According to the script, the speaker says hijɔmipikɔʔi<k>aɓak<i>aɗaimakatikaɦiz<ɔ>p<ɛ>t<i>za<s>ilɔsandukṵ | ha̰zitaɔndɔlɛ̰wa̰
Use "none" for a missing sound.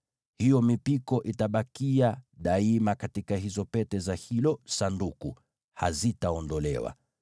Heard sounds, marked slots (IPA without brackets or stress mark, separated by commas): t, i, ɔ, ɛ, ɛ, h